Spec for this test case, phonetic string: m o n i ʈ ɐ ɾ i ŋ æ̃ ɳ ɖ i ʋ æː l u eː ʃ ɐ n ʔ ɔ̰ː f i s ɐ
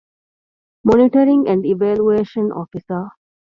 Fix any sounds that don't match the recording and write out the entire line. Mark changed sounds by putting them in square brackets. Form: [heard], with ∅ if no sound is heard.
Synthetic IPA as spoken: m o n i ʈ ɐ ɾ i ŋ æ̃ ɳ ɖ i ʋ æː l u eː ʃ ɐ n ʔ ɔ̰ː f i s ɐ